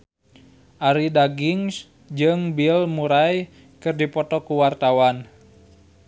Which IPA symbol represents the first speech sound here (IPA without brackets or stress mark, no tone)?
ʔ